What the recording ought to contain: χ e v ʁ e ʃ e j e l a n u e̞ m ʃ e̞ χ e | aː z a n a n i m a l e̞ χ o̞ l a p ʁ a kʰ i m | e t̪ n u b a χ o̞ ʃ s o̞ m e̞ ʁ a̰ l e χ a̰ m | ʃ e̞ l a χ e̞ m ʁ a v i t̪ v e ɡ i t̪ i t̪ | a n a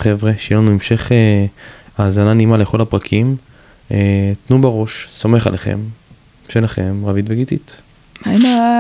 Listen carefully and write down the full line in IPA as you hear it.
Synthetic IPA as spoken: χ e v ʁ e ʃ e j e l a n u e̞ m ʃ e̞ χ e | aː z a n a n i m a l e̞ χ o̞ l a p ʁ a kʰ i m | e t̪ n u b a ʁ o̞ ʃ s o̞ m e̞ χ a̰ l e χ ḛ m | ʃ e̞ l a χ e̞ m ʁ a v i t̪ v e ɡ i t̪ i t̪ | a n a